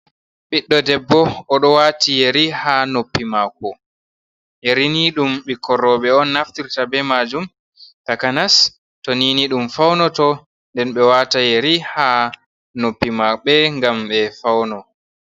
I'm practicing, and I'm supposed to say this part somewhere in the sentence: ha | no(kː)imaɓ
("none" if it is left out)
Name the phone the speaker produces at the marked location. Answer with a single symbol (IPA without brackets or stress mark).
pː